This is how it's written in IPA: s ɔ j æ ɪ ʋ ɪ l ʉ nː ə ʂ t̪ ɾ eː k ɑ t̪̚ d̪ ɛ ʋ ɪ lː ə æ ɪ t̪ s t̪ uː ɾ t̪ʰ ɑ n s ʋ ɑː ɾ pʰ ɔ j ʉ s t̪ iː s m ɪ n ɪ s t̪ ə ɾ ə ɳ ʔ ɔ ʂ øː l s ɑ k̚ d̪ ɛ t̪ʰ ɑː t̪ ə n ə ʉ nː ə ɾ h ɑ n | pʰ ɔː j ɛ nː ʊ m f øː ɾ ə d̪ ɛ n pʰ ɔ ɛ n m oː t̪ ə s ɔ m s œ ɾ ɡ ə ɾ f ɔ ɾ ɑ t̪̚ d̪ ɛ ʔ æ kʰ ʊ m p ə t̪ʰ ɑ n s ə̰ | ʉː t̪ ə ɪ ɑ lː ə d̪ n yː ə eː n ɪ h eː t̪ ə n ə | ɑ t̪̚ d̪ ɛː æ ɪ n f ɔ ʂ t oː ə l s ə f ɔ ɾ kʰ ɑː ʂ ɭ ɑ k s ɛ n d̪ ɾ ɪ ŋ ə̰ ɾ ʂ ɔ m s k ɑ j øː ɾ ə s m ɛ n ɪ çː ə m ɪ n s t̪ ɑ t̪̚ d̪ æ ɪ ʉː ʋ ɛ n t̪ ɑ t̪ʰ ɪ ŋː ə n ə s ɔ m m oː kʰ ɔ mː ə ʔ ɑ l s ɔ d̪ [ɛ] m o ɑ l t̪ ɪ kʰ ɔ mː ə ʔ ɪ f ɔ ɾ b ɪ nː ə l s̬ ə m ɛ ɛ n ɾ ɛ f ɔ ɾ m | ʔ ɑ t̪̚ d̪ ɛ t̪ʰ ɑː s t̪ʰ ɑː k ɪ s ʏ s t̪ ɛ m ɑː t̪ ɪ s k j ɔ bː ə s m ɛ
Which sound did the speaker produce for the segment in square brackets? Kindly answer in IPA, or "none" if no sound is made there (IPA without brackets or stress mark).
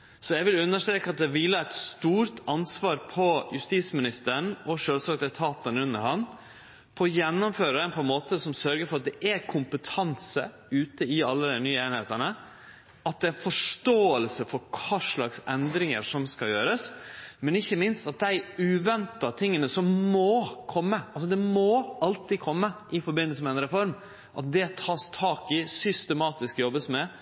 ɛ